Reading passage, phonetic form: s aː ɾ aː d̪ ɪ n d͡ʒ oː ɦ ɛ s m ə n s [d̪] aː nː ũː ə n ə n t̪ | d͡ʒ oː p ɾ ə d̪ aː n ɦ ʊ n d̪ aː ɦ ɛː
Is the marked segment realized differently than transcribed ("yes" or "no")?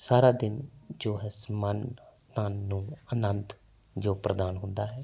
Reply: yes